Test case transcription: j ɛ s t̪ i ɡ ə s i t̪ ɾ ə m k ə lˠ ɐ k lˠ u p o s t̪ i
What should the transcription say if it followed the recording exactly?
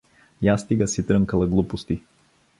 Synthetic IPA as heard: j a s t̪ i ɡ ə s i t̪ ɾ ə ŋ k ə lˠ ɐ ɡ lˠ u p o s t̪ i